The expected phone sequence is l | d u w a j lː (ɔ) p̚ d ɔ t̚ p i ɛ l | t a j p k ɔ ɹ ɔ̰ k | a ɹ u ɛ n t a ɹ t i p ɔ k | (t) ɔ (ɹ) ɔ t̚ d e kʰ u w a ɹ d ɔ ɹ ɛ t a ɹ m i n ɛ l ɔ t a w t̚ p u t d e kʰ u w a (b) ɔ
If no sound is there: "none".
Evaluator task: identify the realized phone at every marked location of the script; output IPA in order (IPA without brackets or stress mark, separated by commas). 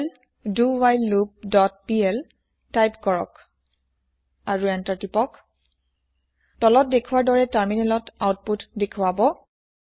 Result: u, t, l, b